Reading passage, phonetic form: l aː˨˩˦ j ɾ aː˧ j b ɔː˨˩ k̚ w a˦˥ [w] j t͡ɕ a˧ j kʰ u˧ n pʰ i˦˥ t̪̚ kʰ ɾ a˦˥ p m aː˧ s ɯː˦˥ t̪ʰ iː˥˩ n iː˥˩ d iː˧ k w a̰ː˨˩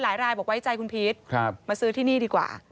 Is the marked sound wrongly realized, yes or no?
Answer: yes